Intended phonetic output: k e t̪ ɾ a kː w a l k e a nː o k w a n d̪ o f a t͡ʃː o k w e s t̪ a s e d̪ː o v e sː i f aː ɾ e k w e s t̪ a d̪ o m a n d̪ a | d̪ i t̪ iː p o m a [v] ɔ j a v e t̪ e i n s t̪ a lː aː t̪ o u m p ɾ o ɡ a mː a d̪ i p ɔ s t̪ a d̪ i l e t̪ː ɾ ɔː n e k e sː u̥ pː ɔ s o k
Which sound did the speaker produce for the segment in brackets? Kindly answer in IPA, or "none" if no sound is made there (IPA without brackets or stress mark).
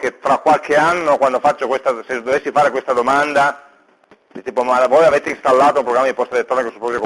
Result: v